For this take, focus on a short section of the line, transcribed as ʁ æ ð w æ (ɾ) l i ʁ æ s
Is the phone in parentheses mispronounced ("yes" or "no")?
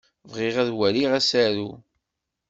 yes